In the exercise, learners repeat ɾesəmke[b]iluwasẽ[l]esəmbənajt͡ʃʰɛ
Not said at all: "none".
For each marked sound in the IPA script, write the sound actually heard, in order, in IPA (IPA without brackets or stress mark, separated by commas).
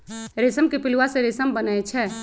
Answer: p, ɾ